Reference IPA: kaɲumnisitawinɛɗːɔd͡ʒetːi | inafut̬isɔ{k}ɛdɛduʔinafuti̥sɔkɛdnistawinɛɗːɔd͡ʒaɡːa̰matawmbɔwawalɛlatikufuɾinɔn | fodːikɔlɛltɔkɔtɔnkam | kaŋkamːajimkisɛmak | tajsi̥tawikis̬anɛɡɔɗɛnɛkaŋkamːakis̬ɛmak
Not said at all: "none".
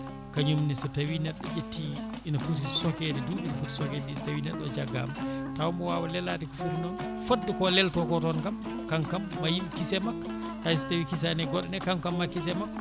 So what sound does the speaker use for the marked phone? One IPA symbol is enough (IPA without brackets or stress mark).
k